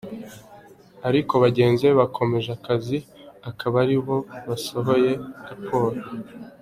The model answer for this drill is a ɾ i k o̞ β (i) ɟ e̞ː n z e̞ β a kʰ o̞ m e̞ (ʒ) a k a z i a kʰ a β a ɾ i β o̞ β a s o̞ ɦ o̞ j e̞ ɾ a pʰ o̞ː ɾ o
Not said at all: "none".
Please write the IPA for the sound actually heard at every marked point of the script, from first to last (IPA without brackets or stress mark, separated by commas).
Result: a, ʒ